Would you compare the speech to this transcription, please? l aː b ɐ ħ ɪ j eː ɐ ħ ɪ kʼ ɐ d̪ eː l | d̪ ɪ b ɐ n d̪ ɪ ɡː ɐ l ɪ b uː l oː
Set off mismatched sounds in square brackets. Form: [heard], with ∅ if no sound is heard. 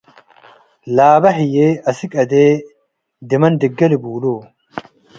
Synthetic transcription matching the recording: l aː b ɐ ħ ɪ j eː ɐ [s] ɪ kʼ ɐ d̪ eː [∅] | d̪ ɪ [m] ɐ n d̪ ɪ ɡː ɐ l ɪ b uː l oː